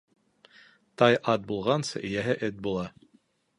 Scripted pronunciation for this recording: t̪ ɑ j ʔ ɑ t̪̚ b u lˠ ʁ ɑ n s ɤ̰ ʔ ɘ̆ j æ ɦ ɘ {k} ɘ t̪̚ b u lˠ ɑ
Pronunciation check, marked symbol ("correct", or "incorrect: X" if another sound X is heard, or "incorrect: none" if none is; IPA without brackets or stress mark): incorrect: ʔ